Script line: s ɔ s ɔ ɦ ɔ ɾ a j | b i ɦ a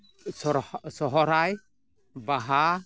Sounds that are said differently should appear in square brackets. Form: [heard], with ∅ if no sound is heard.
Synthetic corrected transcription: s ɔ s ɔ ɦ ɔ ɾ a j | b [a] ɦ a